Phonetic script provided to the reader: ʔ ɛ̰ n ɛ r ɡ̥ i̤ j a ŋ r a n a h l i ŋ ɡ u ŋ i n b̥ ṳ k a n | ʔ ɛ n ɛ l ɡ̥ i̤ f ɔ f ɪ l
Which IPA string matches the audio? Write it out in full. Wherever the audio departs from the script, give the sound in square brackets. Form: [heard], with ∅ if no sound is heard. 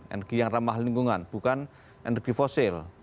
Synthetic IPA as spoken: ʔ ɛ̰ n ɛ r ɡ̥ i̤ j a ŋ r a [m] a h l i ŋ ɡ u ŋ [a] n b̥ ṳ k a n | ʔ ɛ n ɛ [r] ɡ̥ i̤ f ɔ [s] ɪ l

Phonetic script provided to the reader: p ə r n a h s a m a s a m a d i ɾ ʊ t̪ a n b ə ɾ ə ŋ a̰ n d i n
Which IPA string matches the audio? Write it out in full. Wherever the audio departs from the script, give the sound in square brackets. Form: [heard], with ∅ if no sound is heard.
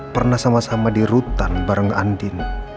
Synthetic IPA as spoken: p ə r n a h s a m a s a m a d i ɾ [u] t̪ a n b [a] ɾ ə ŋ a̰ n d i n

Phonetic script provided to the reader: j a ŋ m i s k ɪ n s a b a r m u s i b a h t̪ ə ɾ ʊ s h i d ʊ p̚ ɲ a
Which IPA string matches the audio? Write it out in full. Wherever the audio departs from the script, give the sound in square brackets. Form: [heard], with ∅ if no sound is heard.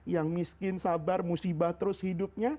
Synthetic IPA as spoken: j a ŋ m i s k ɪ n s a b a r m u s i b a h t̪ ə ɾ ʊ s h i d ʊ p̚ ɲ a

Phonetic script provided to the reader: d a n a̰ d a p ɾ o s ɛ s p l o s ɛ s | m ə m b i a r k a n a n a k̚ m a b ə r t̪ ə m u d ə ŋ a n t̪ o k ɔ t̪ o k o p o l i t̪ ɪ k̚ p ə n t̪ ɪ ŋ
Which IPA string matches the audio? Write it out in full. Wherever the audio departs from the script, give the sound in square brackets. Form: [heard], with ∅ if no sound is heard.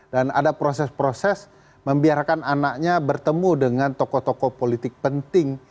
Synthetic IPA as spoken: d a n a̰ d a p ɾ o s ɛ s p [ɾ] o s ɛ s | m ə m b i a r k a n a n a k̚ [ɲ] a b ə r t̪ ə m u d ə ŋ a n t̪ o k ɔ t̪ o k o p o l i t̪ ɪ k̚ p ə n t̪ ɪ ŋ

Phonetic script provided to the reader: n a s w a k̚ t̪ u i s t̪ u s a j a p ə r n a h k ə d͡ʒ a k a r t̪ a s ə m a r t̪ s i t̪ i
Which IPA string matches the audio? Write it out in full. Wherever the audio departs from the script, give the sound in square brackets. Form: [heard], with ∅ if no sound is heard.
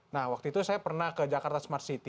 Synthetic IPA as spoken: n a [h] w a k̚ t̪ u i [∅] t̪ u s a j a p ə r n a h k ə d͡ʒ a k a r t̪ a s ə m a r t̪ s i t̪ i

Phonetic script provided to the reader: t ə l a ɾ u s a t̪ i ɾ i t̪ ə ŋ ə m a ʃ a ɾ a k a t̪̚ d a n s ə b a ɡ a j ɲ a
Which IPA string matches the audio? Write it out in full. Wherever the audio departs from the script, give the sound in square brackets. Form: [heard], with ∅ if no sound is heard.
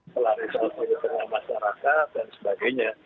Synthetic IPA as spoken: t ə l a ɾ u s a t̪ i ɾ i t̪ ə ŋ [a] m a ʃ a ɾ a k a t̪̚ d a n s ə b a ɡ a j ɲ a

